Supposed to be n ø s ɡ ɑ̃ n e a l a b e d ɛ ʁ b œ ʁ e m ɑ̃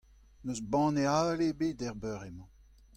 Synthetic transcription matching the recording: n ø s b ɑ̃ n e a l e b e d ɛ ʁ b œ ʁ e m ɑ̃